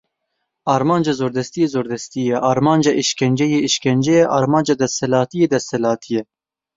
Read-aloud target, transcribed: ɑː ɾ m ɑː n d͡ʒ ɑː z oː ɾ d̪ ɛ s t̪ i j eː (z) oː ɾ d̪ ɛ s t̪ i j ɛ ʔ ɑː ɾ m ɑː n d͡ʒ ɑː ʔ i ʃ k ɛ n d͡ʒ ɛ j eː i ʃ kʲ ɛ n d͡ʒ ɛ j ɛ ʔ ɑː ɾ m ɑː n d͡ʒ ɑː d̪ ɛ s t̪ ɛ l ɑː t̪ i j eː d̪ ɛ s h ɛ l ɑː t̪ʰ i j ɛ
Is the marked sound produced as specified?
yes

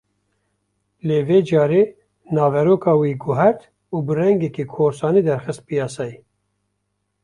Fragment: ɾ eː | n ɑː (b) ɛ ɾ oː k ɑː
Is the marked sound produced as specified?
no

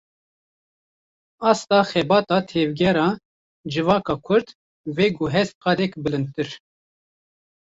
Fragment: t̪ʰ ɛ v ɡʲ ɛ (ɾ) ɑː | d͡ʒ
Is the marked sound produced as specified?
yes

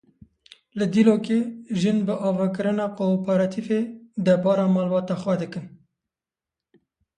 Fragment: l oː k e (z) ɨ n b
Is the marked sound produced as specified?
no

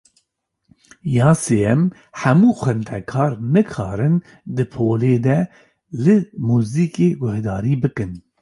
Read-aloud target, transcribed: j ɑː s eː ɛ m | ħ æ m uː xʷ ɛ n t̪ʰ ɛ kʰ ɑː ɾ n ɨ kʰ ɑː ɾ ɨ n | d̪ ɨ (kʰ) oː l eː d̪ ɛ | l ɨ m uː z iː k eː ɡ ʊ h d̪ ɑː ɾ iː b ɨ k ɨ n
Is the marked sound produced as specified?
no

